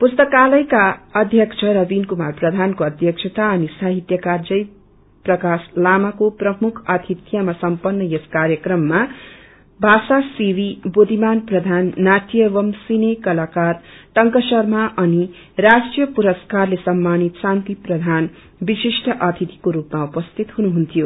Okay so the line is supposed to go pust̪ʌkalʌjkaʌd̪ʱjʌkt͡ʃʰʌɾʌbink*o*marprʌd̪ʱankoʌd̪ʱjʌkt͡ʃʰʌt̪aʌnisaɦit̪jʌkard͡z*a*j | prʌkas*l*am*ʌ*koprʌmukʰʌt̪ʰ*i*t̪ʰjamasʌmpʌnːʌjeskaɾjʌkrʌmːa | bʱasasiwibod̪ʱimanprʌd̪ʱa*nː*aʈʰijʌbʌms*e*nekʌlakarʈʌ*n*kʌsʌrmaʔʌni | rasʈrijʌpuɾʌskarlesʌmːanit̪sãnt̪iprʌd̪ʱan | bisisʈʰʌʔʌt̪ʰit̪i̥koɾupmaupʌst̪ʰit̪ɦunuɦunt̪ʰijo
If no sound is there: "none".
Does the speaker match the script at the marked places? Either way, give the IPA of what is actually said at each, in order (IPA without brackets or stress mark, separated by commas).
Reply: u, ʌ, l, a, i, nː, i, ŋ